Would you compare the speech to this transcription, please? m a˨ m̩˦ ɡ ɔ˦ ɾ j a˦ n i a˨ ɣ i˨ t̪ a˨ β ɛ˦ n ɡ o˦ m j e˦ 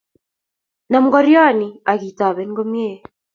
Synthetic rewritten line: n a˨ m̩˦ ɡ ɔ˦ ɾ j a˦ n i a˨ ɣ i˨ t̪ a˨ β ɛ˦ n ɡ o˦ m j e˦